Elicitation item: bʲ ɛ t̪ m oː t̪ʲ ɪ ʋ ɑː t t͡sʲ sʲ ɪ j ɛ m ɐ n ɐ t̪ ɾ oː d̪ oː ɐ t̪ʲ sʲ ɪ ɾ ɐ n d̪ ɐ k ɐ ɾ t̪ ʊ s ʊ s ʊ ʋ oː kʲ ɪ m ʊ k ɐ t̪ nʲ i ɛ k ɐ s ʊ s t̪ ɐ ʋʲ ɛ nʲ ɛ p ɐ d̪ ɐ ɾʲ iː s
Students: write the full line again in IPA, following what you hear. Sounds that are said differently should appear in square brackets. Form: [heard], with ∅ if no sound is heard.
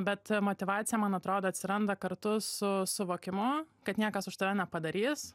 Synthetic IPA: bʲ ɛ t̪ m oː t̪ʲ ɪ ʋ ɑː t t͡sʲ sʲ ɪ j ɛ m ɐ n ɐ t̪ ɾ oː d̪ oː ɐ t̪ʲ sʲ ɪ ɾ ɐ n d̪ ɐ k ɐ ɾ t̪ ʊ s ʊ s ʊ ʋ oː kʲ ɪ m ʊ k ɐ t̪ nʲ i ɛ k ɐ s ʊ [ʃ] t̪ ɐ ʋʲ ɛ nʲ ɛ p ɐ d̪ ɐ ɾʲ iː s